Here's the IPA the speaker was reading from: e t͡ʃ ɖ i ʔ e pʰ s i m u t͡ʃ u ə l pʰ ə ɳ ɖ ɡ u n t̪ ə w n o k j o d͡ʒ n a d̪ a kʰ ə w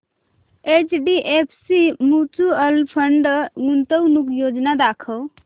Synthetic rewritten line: e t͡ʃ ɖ i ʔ e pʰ s i m u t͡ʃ u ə l pʰ ə ɳ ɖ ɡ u n t̪ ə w n u k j o d͡ʒ n a d̪ a kʰ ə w